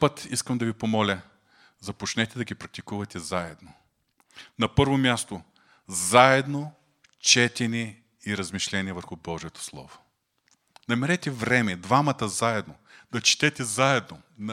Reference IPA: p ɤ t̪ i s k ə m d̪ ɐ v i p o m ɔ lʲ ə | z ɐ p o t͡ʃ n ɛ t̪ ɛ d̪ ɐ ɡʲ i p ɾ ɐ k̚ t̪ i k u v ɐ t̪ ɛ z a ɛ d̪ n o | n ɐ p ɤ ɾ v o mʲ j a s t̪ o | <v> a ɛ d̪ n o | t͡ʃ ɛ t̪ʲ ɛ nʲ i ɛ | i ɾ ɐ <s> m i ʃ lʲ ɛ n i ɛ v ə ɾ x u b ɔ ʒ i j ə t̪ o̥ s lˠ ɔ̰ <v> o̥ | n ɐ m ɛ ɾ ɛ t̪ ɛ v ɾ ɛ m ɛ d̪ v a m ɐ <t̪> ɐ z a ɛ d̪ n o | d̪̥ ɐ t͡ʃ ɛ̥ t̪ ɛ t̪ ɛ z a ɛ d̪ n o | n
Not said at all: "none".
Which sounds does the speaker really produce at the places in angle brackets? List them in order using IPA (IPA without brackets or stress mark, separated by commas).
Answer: z, z, v, t̪